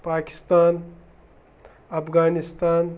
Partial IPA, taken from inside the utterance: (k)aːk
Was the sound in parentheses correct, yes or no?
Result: no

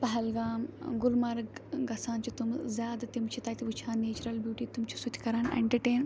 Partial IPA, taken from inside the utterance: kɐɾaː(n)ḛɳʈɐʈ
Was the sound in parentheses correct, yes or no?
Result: yes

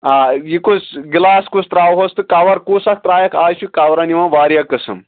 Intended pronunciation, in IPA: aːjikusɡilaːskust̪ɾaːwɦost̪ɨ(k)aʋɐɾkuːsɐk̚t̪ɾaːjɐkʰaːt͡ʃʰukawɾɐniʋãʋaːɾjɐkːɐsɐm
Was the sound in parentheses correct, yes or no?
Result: yes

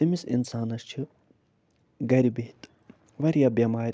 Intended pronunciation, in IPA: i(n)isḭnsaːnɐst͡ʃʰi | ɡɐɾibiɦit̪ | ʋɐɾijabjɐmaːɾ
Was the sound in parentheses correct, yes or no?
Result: no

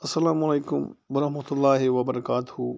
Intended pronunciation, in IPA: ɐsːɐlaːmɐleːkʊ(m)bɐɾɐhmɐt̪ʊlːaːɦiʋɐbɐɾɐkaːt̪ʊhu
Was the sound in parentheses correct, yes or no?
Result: yes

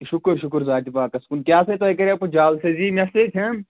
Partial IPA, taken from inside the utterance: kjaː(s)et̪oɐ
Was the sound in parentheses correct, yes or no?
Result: yes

